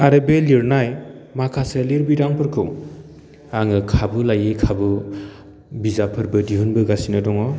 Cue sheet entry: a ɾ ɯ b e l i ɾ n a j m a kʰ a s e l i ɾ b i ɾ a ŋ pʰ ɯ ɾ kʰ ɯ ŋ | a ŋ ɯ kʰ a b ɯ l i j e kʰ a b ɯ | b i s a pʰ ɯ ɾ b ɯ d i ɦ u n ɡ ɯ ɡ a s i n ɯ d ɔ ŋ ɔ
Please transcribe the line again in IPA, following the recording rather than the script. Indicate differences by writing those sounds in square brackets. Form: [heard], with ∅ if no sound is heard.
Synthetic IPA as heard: a ɾ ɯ b e l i ɾ n a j m a kʰ a s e l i ɾ b i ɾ a ŋ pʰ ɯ ɾ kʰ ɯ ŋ | a ŋ ɯ kʰ a b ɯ l [a] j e kʰ a b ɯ | b i [z] a pʰ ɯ ɾ b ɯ d i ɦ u n [b] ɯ ɡ a s i n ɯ d ɔ ŋ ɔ